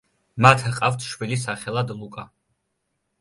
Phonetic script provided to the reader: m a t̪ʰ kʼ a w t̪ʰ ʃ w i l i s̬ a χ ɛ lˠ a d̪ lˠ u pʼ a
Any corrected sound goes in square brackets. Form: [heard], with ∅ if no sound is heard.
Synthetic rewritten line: m a t̪ʰ [qʼ] a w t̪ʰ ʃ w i l i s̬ a χ ɛ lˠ a d̪ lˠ u [kʼ] a